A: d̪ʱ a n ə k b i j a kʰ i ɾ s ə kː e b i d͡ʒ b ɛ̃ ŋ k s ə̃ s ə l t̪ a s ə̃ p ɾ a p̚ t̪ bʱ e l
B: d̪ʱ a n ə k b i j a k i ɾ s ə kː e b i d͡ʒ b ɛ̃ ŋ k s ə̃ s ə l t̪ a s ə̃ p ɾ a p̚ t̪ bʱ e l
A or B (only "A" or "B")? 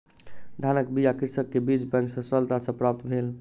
B